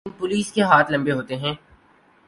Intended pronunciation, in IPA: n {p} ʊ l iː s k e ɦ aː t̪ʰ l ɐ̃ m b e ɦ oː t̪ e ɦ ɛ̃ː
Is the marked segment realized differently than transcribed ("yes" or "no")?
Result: no